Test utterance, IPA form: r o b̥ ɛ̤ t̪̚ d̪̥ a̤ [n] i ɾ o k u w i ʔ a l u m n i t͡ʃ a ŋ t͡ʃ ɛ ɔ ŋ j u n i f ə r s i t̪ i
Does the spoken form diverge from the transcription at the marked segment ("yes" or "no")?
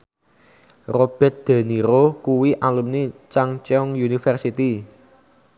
no